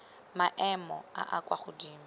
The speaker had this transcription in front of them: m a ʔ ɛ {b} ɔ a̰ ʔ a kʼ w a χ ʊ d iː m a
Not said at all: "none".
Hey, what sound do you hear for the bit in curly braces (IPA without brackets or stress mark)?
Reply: m